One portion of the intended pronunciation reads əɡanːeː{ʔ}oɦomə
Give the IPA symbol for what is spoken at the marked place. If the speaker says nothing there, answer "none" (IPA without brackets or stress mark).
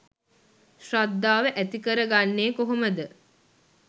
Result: k